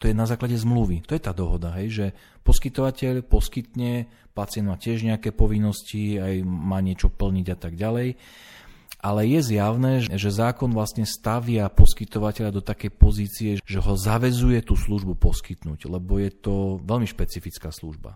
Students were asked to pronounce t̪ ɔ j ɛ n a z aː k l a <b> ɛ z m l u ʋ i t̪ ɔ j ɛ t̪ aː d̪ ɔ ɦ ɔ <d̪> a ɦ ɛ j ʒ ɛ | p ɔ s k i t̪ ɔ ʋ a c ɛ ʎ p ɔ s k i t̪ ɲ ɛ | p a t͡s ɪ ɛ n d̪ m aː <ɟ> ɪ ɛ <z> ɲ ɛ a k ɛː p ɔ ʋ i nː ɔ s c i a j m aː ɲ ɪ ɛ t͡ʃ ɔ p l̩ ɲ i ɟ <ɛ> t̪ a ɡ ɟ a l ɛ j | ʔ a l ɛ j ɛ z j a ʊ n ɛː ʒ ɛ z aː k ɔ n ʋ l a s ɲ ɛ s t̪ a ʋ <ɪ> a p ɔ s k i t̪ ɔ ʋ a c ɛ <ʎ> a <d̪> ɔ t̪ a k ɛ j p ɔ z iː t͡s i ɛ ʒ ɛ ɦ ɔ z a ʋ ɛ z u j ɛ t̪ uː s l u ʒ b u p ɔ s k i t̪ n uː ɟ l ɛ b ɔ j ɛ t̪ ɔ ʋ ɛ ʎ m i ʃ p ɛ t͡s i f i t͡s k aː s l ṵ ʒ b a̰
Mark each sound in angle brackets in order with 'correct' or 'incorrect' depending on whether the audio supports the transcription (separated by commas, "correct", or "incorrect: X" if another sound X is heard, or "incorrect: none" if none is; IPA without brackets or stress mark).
incorrect: ɟ, correct, incorrect: c, incorrect: ʒ, incorrect: a, correct, correct, correct